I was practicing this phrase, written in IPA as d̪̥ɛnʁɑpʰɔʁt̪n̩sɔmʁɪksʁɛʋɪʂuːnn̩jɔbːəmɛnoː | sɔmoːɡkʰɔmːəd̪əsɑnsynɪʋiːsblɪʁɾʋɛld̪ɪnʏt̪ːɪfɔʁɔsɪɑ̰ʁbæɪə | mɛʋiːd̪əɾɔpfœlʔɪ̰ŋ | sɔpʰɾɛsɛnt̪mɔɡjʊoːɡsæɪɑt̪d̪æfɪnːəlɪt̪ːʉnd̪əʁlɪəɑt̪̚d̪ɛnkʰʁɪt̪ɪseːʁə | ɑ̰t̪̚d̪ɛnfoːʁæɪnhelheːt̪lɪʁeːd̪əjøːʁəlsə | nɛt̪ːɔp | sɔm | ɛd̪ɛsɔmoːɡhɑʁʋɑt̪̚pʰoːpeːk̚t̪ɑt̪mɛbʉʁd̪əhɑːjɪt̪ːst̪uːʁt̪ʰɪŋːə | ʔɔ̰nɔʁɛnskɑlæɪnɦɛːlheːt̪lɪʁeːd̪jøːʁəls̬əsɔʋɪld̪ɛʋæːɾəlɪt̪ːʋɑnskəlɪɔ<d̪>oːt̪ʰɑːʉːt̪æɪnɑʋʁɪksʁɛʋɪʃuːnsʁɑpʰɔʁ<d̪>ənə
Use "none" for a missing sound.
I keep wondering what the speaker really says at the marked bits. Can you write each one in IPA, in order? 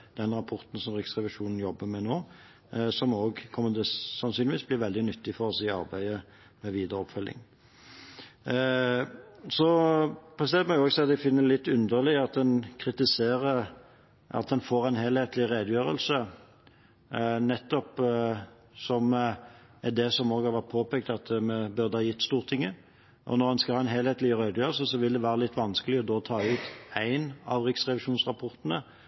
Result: d̪, t̪

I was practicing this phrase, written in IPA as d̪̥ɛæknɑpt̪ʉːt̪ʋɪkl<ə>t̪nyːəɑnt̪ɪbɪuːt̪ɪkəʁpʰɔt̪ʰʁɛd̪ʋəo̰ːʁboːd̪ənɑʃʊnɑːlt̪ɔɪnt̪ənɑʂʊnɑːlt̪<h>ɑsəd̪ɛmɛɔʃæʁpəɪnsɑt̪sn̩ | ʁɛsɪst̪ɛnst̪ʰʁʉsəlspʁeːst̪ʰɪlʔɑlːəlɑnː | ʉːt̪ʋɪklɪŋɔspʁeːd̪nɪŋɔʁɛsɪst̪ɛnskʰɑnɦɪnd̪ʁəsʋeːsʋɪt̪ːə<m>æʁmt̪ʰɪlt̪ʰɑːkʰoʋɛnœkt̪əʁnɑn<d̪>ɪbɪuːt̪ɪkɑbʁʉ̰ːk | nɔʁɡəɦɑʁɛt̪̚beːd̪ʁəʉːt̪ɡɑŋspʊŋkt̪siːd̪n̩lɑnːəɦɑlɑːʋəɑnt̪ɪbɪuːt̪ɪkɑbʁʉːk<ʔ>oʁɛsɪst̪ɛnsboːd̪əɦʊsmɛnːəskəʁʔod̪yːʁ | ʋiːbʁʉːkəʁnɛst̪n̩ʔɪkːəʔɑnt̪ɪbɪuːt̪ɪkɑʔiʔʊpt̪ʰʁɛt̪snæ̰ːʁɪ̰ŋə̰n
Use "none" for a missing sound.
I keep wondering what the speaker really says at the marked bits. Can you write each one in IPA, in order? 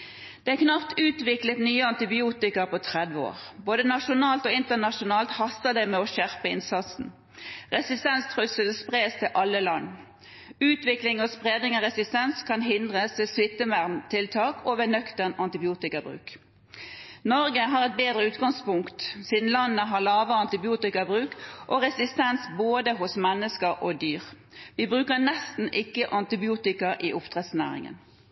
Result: ə, h, m, t̪, ʔ

